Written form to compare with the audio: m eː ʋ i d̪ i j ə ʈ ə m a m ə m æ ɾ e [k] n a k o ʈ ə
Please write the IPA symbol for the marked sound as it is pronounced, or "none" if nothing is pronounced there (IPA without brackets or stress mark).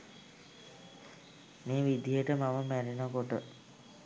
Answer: none